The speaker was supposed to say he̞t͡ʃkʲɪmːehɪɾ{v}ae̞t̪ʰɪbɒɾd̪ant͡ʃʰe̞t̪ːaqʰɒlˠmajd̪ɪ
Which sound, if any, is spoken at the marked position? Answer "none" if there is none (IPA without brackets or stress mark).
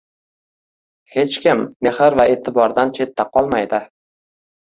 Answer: v